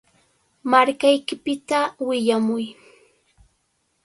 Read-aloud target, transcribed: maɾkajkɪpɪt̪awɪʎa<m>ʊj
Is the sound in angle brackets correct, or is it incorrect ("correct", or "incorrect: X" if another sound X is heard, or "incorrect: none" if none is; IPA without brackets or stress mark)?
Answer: correct